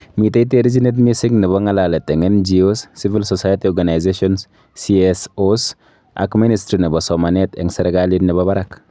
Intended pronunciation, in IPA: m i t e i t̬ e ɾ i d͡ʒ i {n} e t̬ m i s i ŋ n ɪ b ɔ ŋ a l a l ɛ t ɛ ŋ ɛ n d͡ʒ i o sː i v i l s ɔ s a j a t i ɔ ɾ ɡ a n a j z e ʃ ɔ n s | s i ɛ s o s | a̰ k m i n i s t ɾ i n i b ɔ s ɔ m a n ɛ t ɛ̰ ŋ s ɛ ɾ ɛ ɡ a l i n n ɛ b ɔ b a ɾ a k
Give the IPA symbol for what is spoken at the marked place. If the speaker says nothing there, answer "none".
n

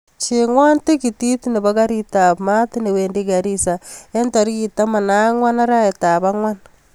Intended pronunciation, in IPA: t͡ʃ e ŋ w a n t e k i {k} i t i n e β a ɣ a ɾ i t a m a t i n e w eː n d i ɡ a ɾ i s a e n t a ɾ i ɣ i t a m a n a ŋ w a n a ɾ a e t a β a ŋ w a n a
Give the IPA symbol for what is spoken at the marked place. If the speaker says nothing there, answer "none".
t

